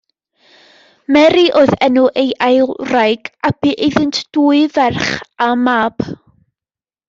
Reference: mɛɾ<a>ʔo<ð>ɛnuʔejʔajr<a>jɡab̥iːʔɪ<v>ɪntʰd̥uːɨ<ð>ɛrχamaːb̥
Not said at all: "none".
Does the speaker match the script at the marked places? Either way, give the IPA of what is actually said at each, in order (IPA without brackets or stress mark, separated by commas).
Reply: i, ð, a, ð, v